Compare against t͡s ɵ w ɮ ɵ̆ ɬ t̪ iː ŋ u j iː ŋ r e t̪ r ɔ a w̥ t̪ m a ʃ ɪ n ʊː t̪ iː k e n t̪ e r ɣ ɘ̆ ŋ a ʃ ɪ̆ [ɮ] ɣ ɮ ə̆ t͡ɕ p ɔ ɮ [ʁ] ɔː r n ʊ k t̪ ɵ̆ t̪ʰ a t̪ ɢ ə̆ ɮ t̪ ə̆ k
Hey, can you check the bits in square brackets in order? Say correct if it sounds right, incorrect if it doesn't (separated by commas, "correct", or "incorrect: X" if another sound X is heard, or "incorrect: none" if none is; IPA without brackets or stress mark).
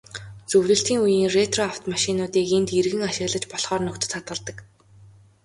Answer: incorrect: none, incorrect: χ